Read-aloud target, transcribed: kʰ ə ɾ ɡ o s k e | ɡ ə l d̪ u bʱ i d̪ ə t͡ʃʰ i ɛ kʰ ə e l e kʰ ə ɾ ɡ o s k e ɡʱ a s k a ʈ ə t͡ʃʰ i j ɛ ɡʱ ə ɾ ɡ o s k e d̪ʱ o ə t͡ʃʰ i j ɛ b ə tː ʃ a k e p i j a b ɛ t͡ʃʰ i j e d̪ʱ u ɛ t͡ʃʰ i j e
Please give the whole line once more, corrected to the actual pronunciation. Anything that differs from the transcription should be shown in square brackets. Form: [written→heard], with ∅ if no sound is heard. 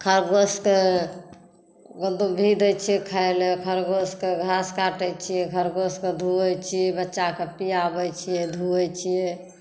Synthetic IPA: kʰ ə ɾ ɡ o s k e | ɡ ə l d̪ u bʱ i d̪ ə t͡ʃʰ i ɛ kʰ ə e l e kʰ ə ɾ ɡ o s k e ɡʱ a s k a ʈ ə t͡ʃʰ i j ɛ ɡʱ ə ɾ ɡ o s k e d̪ʱ [o→u] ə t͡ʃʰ i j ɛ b ə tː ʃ a k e p i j a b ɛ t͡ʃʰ i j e d̪ʱ u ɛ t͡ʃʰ i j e